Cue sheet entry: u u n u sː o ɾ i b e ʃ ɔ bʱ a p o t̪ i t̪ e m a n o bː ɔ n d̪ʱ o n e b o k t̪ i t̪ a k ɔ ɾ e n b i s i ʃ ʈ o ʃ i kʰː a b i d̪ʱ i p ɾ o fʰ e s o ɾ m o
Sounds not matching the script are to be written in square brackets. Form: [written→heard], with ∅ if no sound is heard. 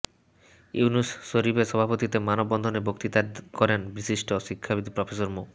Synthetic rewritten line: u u n u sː o ɾ i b e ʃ ɔ bʱ a p o t̪ i t̪ e m a n o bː ɔ n d̪ʱ o n e b o k t̪ i t̪ a k ɔ ɾ e n b i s i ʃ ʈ o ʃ i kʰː a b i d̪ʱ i p ɾ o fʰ e s o ɾ m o